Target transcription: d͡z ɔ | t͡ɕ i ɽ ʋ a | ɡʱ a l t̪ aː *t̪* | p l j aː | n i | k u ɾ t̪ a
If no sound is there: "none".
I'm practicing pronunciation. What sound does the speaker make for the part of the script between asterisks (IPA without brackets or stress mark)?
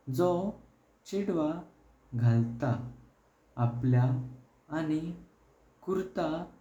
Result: none